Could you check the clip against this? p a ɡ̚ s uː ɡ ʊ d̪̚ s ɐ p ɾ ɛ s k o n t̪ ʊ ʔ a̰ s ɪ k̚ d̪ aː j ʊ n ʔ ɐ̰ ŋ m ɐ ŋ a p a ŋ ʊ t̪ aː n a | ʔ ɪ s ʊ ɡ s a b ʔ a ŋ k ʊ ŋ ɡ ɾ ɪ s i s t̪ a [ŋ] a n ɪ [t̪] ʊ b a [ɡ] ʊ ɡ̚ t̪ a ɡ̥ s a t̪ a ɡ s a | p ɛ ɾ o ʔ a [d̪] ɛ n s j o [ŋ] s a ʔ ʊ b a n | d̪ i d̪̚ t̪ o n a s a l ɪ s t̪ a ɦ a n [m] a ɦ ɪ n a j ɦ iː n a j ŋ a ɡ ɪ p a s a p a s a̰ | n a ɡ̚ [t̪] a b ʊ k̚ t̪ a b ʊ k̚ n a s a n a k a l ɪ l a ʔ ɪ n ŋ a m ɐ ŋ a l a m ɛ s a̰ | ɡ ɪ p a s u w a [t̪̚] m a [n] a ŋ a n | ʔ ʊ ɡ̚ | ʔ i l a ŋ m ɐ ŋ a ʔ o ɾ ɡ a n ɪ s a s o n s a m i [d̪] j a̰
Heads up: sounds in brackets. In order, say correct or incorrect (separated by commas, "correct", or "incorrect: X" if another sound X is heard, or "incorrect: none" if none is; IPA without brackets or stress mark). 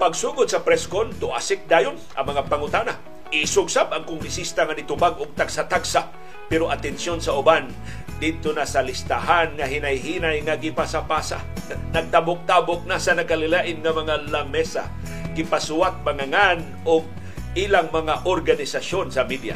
correct, correct, correct, incorrect: t̪, incorrect: n, incorrect: ŋ, correct, correct, incorrect: ŋ, correct